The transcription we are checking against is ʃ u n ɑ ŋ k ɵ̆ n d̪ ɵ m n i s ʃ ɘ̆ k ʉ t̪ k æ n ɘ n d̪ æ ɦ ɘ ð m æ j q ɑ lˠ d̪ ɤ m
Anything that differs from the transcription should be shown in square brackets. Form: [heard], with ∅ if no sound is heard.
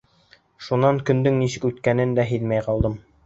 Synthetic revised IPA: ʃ u n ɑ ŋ k ɵ̆ n d̪ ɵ [ŋ] n i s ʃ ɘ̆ k ʉ t̪ k æ n ɘ n d̪ æ ɦ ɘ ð m æ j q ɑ lˠ d̪ ɤ m